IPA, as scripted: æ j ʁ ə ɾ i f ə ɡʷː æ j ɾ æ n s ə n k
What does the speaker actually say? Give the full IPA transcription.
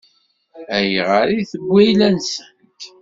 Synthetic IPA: æ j ʁ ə ɾ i θ ə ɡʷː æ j l æ n s ə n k